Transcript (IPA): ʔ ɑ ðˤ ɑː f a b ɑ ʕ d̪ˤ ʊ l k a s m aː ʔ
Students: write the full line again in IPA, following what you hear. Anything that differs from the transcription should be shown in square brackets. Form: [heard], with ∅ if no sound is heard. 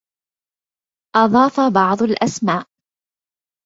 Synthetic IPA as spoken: ʔ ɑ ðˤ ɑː f a b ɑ ʕ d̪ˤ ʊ l [ʔ] a s m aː ʔ